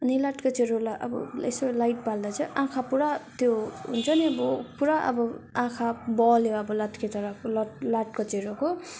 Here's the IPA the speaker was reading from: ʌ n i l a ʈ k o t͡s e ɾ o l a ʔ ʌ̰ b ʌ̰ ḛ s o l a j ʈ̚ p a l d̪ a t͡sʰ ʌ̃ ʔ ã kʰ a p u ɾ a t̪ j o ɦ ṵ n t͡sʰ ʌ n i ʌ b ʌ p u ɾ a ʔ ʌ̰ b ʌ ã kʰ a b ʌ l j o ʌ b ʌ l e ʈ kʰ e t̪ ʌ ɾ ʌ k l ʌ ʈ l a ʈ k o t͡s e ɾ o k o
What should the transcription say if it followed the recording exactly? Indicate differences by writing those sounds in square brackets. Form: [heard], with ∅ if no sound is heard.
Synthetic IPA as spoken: ʌ n i l a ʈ k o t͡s e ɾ o l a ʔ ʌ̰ b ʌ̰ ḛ s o l a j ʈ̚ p a l d̪ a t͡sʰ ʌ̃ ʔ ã kʰ a p u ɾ a t̪ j o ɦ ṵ n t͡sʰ ʌ n i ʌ b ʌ p u ɾ a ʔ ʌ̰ b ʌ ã kʰ a b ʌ l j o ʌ b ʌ l [a] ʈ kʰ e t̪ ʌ ɾ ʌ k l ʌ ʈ l a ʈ k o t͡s e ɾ o k o